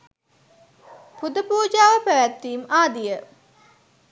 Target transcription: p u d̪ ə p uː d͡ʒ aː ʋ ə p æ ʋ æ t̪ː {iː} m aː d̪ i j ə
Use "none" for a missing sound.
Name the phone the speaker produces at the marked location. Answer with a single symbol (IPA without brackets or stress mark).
iː